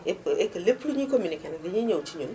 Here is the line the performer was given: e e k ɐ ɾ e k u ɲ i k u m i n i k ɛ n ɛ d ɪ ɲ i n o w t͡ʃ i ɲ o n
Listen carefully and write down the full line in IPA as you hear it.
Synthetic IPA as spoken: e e k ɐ l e p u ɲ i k o m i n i k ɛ n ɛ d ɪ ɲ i ɲ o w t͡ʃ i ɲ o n